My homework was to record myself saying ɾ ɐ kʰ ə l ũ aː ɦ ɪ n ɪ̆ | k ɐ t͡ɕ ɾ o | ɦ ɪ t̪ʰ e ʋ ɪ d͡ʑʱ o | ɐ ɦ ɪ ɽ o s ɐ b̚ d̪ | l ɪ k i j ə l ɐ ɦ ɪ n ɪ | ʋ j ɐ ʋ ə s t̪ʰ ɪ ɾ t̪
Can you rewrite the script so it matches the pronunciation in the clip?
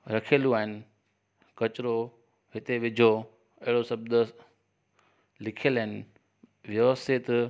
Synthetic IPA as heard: ɾ ɐ kʰ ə l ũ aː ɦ ɪ n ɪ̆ | k ɐ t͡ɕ ɾ o | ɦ ɪ t̪ e ʋ ɪ d͡ʑʱ o | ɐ ɦ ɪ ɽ o s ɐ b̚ d̪ | l ɪ kʰ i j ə l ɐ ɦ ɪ n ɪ | ʋ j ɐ ʋ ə s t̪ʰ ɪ t̪